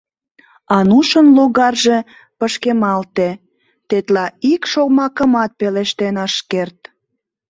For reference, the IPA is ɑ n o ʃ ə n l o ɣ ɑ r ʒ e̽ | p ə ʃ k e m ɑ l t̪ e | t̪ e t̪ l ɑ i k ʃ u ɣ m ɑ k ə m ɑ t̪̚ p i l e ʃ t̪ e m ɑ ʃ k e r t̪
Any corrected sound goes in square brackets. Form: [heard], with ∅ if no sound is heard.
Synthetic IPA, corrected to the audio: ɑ n [u] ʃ ə n l o ɣ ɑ r ʒ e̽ | p ə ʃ k e m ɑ l t̪ e | t̪ e t̪ l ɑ i k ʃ [o] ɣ m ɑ k ə m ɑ t̪̚ p [e] l e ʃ t̪ e [n] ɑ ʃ k e r t̪